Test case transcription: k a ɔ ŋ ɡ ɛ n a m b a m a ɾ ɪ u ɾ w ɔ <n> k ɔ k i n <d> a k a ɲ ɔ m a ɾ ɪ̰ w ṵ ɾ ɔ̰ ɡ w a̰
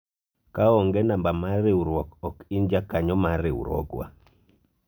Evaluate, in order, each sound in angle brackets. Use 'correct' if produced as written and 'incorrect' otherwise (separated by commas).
incorrect, incorrect